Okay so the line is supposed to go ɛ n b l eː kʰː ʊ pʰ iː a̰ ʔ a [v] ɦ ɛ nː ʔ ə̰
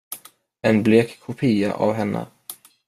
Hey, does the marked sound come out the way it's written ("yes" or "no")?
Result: yes